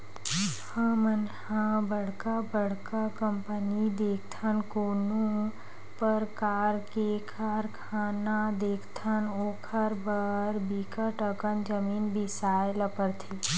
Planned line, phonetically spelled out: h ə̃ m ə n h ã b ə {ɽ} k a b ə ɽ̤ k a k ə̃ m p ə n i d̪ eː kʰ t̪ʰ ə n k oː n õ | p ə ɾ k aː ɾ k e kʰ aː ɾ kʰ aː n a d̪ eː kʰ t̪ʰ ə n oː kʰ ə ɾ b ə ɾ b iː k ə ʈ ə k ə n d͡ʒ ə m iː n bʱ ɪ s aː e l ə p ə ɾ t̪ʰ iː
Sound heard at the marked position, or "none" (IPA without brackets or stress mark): ɽ